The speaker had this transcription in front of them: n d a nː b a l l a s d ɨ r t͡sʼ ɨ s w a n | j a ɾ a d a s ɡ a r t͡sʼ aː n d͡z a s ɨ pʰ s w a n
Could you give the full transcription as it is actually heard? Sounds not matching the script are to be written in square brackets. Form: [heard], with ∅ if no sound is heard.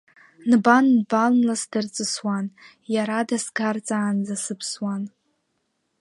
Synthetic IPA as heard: n [b] a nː b a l l a s d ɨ r t͡sʼ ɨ s w a n | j a ɾ a d a s ɡ a r t͡sʼ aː n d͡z a s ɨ pʰ s w a n